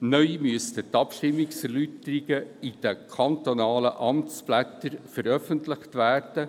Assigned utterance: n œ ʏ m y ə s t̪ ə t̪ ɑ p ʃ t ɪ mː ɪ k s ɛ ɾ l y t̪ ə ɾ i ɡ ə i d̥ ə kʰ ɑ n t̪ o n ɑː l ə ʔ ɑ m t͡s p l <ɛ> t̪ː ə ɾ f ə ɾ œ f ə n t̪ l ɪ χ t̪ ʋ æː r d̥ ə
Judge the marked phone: incorrect: æ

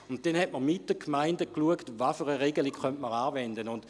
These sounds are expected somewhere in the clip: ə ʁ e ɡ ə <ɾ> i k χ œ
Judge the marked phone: incorrect: l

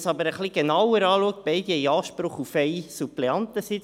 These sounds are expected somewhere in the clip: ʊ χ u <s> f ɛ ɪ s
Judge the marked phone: incorrect: none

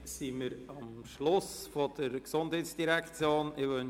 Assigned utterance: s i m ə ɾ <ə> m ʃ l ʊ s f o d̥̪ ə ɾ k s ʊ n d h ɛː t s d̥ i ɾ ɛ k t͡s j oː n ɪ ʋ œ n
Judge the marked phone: incorrect: ɑ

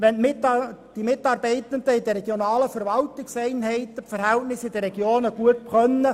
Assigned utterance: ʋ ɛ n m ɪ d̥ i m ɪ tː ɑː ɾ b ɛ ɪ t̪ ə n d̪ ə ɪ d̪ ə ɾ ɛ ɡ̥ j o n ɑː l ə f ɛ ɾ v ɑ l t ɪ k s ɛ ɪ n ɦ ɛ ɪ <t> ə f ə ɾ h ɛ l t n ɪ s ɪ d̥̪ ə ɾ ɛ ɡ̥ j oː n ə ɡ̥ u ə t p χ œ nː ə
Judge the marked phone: correct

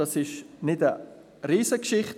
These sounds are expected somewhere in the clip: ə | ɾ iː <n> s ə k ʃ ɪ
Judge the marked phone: incorrect: none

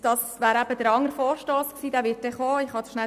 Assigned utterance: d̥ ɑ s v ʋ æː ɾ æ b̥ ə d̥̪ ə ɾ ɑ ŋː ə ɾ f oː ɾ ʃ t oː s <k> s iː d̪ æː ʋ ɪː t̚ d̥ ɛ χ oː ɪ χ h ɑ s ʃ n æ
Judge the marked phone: correct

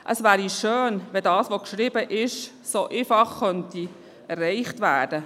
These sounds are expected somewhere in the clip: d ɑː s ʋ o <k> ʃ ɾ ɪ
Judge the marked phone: correct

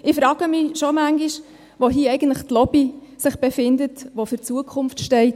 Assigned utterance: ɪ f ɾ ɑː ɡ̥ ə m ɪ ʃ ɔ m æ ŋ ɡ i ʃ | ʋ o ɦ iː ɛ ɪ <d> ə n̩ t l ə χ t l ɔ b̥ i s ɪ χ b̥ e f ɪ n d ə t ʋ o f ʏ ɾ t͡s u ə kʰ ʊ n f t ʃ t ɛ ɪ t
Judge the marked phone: incorrect: ɡ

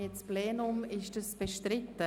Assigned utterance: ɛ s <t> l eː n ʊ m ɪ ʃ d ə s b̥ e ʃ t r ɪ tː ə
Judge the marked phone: incorrect: p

